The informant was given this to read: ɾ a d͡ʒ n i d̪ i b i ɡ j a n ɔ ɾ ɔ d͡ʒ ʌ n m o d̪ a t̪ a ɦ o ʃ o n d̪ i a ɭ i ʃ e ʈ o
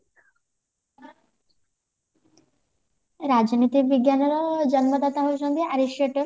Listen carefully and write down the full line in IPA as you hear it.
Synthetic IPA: ɾ a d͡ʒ n i t̪ i b i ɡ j a n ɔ ɾ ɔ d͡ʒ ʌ n m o d̪ a t̪ a ɦ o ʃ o n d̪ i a ɾ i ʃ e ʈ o